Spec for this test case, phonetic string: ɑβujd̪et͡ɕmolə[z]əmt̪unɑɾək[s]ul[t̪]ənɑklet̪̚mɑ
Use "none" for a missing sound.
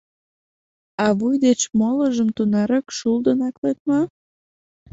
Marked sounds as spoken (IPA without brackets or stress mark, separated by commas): ʒ, ʃ, d̪